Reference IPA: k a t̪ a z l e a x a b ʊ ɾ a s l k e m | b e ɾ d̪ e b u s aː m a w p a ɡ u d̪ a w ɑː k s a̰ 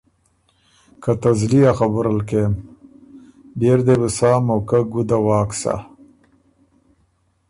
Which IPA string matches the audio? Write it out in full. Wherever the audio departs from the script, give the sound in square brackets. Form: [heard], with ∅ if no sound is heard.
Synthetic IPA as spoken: k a t̪ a z l [i] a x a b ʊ ɾ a [∅] l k e m | b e ɾ d̪ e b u s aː m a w [k] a ɡ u d̪ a w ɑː k s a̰